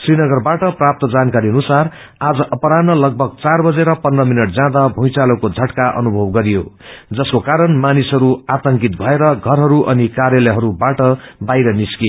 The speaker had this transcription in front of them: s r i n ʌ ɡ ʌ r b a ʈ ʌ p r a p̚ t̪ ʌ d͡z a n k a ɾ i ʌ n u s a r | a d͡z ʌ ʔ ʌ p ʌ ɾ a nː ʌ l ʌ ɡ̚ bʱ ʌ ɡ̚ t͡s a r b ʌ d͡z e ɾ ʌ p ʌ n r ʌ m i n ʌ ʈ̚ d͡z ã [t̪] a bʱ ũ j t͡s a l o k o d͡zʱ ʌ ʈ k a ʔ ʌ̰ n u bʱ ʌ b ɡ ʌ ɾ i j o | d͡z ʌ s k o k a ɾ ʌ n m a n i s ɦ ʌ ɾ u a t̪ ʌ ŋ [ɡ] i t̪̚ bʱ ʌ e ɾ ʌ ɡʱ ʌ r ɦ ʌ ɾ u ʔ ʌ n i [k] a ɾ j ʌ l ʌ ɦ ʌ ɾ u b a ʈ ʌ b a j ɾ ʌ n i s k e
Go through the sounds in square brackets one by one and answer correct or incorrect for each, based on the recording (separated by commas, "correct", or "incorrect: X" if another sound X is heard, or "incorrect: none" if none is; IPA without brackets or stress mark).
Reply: incorrect: d̪, incorrect: k, correct